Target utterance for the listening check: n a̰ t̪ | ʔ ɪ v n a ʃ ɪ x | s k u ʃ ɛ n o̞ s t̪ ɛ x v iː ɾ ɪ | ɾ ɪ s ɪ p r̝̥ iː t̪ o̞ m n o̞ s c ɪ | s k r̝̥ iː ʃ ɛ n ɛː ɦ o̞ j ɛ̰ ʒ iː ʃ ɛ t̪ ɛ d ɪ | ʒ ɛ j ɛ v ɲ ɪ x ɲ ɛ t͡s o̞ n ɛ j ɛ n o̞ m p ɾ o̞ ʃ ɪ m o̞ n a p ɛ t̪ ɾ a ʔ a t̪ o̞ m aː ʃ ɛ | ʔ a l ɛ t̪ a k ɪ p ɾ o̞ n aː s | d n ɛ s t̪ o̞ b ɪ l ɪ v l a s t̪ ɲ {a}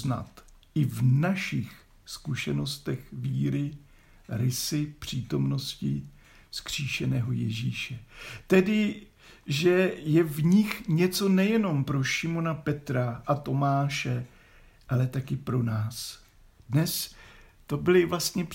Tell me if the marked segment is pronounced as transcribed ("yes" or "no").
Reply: no